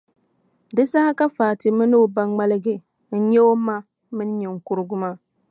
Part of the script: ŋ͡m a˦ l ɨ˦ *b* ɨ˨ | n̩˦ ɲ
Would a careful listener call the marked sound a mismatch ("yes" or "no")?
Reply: yes